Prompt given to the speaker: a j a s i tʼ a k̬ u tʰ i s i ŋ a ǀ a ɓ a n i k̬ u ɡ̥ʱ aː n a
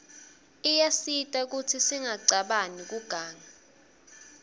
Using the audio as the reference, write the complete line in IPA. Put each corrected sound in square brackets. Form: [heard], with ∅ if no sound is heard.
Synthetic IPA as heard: [i] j a s i tʼ a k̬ u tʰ i s i ŋ a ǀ a ɓ a n i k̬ u ɡ̥ʱ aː [ŋ] a